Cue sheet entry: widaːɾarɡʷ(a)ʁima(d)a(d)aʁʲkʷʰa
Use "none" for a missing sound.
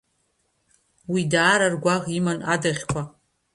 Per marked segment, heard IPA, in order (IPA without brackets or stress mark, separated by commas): a, n, d